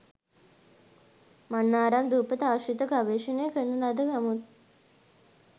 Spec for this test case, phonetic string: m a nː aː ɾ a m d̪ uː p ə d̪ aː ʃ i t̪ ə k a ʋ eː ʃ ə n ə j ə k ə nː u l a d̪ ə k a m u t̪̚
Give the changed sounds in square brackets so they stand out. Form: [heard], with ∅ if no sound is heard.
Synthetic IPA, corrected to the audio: m a nː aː ɾ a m d̪ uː p ə [t̪] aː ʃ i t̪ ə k a ʋ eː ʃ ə n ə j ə k ə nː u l a d̪ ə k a m u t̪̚